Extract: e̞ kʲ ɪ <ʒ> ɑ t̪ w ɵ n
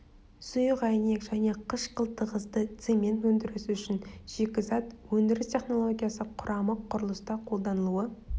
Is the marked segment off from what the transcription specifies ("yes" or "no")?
yes